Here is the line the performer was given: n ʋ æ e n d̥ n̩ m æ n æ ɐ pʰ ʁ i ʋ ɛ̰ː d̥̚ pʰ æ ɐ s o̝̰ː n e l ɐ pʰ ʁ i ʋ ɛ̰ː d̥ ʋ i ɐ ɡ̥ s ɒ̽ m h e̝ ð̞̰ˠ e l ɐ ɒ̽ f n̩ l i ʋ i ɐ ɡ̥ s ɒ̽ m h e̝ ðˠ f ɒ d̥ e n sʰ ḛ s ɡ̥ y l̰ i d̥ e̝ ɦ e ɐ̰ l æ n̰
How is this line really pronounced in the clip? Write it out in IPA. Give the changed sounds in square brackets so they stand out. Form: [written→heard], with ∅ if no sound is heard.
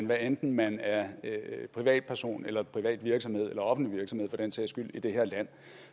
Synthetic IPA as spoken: n ʋ æ e n d̥ n̩ m æ n æ ɐ pʰ ʁ i ʋ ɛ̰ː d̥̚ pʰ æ ɐ s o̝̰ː n e l ɐ pʰ ʁ i ʋ ɛ̰ː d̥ ʋ i ɐ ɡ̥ s ɒ̽ m h e̝ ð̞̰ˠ e l ɐ ɒ̽ f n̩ l i ʋ i ɐ ɡ̥ s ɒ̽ m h e̝ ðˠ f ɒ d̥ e n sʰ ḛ s ɡ̥ y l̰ i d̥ e̝ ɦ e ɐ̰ l æ n̰